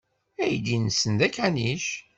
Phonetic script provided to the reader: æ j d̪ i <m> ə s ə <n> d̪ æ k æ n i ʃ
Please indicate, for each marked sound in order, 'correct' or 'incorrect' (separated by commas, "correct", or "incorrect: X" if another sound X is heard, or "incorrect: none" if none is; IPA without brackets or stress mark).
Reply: incorrect: n, correct